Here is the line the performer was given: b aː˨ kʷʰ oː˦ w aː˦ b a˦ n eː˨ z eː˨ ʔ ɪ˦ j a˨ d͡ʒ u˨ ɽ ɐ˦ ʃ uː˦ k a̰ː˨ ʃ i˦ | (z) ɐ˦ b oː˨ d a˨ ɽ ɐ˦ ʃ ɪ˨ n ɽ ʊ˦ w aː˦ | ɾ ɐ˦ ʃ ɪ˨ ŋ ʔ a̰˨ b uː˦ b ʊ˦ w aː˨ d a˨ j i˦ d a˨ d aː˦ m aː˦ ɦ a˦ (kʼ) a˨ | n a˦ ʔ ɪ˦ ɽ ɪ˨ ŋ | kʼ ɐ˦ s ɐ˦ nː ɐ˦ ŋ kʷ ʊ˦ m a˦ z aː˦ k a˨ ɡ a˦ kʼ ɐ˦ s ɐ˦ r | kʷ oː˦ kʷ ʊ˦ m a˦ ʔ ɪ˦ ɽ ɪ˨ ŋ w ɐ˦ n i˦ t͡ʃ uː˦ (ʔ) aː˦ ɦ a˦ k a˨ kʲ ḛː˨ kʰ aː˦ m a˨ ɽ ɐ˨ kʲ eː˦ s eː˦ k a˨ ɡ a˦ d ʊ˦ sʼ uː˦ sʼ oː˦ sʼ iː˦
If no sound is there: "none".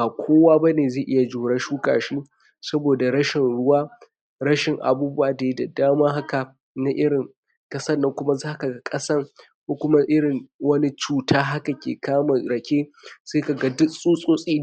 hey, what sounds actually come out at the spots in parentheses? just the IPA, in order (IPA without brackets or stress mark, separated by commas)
s, k, t